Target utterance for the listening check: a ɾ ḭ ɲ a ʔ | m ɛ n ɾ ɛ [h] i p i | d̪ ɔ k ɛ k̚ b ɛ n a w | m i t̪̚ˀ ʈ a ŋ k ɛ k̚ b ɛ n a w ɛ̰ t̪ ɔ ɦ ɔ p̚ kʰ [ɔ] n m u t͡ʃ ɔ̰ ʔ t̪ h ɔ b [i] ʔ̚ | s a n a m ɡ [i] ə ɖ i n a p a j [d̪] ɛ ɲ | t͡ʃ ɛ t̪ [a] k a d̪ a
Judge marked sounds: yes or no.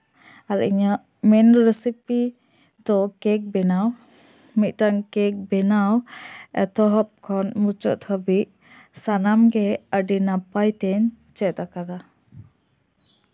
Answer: no, yes, yes, no, no, yes

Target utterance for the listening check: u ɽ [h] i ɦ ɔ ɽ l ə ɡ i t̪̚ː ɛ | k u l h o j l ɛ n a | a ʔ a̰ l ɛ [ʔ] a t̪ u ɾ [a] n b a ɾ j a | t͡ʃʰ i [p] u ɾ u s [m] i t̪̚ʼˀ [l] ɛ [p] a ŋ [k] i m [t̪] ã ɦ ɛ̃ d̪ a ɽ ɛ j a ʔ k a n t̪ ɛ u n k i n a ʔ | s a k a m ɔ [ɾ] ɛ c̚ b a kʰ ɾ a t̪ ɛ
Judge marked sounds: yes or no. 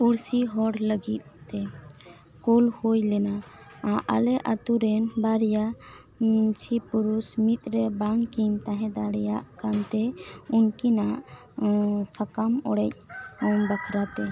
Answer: no, yes, no, yes, yes, no, no, yes, yes, no

